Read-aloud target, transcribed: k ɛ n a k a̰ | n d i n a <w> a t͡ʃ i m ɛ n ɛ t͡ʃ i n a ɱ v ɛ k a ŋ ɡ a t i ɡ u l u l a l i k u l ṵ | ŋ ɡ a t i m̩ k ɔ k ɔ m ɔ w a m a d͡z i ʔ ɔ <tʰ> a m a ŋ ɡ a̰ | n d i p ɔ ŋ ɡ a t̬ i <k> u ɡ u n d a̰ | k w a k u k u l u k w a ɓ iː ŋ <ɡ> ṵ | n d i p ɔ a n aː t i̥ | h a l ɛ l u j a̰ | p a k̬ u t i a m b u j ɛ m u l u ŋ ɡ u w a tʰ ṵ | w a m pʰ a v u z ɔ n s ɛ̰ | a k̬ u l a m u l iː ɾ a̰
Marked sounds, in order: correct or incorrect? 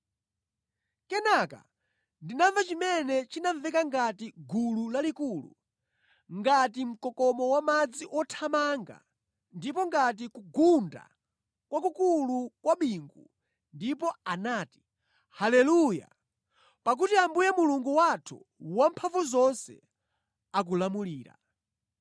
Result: incorrect, correct, correct, correct

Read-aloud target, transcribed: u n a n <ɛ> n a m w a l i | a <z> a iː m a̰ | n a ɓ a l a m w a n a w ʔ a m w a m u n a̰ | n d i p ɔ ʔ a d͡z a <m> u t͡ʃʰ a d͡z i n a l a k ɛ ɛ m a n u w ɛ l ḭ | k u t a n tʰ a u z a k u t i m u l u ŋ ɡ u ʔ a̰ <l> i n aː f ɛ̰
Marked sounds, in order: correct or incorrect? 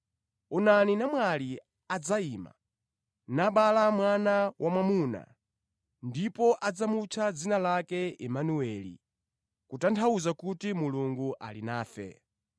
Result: incorrect, incorrect, correct, correct

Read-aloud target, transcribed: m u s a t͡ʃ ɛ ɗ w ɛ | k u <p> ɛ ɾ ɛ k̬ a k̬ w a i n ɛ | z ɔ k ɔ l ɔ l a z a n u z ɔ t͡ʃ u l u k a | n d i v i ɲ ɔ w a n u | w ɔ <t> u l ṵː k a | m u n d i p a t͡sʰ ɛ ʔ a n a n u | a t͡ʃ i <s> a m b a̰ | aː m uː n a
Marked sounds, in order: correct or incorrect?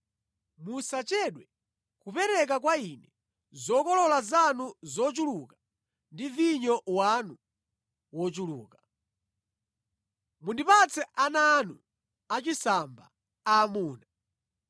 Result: correct, incorrect, correct

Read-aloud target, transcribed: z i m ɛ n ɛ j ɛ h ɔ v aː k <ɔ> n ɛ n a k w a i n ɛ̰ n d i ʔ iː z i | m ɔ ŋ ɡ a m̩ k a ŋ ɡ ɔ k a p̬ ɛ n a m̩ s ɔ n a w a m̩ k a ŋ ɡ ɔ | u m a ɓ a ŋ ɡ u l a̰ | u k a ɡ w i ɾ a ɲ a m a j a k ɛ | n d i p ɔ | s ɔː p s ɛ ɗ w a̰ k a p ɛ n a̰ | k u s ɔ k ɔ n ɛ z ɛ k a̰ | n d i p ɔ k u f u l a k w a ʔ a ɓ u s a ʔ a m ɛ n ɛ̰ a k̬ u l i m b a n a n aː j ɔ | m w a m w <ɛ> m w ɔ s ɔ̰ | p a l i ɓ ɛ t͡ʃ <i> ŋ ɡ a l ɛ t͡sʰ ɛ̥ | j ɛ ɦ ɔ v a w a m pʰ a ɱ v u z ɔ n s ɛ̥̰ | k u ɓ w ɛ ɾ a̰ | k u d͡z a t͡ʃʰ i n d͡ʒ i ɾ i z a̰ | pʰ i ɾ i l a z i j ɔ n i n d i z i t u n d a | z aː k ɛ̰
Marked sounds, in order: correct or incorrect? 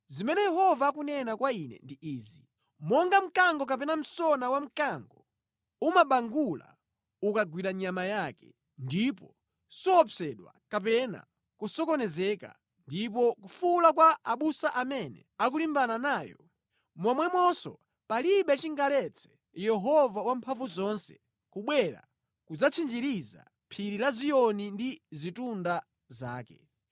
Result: incorrect, correct, correct

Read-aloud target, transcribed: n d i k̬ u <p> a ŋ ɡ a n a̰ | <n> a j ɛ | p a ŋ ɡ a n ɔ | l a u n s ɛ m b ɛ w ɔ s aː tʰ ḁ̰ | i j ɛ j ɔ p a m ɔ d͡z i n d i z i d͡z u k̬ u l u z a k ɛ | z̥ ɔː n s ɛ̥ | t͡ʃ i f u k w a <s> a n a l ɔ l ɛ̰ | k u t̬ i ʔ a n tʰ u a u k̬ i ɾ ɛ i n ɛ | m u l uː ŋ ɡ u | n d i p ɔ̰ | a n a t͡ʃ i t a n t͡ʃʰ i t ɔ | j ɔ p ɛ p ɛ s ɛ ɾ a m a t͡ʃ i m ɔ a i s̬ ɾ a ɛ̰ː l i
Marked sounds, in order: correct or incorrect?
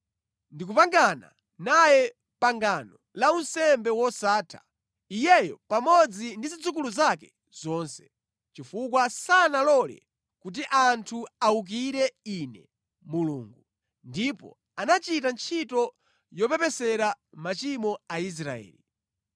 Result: correct, correct, correct

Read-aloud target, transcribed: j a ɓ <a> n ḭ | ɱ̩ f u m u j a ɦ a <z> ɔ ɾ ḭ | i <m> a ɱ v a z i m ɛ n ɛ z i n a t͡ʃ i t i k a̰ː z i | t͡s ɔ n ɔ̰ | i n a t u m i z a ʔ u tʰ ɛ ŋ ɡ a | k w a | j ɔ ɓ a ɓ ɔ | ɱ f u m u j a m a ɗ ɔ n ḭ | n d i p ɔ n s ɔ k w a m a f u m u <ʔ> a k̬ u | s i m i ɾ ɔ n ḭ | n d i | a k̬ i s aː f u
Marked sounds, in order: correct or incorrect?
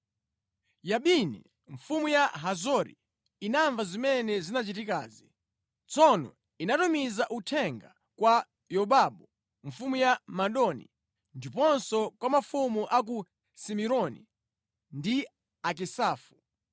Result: incorrect, correct, incorrect, correct

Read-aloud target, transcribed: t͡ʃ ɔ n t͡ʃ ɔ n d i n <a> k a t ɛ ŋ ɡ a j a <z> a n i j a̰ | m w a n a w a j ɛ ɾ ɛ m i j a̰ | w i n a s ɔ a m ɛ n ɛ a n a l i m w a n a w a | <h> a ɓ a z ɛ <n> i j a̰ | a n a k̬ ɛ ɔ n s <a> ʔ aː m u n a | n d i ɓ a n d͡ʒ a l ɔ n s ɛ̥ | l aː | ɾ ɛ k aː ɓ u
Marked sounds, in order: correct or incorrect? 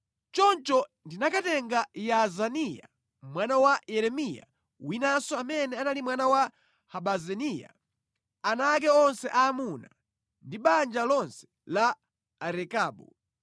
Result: correct, correct, correct, correct, incorrect

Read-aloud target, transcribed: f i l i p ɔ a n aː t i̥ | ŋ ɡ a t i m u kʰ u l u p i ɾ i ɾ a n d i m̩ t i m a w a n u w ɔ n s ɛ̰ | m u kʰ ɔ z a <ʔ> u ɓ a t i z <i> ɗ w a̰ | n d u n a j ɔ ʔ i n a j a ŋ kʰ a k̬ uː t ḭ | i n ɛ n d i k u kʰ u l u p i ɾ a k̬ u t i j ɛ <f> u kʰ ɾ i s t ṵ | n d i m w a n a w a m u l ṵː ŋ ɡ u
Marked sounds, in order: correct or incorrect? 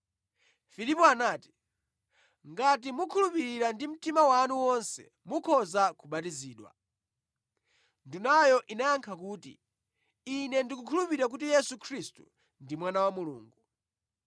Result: incorrect, incorrect, incorrect

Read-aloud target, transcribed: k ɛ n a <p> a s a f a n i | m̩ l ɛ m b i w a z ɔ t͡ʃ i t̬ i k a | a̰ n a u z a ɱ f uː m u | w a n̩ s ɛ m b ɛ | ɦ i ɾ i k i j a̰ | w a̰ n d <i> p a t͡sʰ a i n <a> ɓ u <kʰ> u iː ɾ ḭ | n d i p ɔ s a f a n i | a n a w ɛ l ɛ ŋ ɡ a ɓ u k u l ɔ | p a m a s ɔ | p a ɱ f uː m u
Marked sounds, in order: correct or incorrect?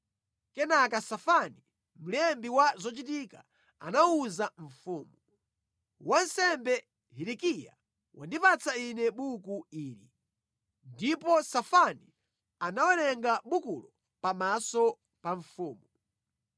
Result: incorrect, correct, incorrect, incorrect

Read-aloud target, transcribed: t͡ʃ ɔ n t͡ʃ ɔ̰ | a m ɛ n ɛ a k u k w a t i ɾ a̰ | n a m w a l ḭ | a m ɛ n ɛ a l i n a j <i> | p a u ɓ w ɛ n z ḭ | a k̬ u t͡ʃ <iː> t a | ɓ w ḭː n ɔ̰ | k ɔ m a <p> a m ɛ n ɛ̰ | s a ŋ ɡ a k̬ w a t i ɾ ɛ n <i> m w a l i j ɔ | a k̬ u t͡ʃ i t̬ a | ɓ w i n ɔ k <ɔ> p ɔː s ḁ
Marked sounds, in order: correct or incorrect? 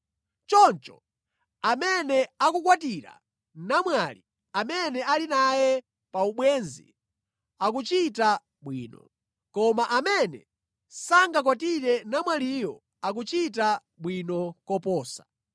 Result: incorrect, incorrect, incorrect, incorrect, correct

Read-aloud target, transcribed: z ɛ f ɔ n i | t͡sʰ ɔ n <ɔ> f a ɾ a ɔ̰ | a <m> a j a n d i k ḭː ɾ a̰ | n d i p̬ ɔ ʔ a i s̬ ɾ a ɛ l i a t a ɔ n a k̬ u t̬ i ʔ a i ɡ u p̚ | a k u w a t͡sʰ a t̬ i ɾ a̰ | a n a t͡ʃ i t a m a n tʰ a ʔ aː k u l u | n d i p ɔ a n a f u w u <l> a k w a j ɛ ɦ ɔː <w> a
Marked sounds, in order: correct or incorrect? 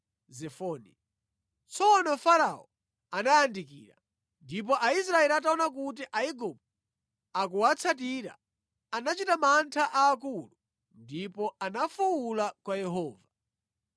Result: correct, incorrect, correct, incorrect

